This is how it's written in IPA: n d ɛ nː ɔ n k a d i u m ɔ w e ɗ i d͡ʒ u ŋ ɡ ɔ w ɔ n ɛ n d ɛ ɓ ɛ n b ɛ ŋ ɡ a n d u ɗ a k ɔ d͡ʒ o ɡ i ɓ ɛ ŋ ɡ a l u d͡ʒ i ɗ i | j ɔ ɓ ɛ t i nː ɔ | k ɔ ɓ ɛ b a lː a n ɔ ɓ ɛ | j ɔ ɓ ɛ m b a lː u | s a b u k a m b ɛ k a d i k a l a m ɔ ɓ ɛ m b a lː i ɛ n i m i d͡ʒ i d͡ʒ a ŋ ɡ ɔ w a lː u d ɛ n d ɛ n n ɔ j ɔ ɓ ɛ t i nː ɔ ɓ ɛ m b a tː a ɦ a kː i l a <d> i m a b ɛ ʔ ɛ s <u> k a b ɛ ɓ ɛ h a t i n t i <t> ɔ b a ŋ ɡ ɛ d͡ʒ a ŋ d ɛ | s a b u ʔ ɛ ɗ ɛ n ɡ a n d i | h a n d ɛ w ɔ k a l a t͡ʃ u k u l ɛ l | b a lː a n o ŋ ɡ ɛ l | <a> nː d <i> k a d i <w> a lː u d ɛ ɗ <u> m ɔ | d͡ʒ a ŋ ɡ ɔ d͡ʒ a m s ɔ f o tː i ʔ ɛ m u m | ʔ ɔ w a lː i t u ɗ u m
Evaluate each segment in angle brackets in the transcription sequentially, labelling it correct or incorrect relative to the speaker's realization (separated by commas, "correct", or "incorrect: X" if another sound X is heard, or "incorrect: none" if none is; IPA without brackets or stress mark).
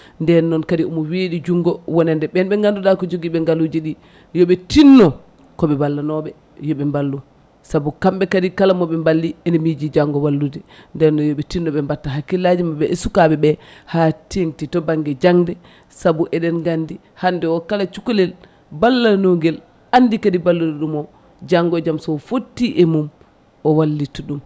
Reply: incorrect: d͡ʒ, correct, correct, correct, correct, incorrect: b, correct